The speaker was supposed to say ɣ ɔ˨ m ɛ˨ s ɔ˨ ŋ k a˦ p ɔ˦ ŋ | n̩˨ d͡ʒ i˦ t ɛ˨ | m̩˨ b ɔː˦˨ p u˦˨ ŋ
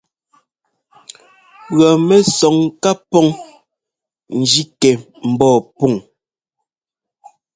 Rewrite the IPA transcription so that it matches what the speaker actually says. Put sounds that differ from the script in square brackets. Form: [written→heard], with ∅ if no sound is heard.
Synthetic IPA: ɣ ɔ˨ m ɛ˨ s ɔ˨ ŋ k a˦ p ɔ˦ ŋ | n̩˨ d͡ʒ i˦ [t→k] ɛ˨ | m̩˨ b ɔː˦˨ p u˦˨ ŋ